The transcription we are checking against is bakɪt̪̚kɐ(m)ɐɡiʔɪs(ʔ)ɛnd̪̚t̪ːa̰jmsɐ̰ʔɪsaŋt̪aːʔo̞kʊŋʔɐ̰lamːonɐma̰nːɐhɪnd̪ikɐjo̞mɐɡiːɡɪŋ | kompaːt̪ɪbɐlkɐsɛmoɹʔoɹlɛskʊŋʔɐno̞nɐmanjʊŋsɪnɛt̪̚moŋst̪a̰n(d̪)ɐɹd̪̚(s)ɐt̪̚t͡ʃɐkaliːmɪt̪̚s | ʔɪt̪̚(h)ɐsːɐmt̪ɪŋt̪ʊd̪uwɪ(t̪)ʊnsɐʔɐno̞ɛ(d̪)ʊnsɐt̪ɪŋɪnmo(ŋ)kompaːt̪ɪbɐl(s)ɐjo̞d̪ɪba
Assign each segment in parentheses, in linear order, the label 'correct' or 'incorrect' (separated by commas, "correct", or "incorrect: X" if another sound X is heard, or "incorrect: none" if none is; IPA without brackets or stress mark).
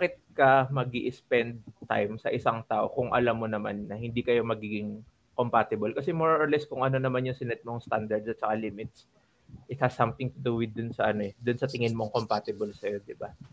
correct, incorrect: p, correct, correct, correct, incorrect: d̪, correct, correct, correct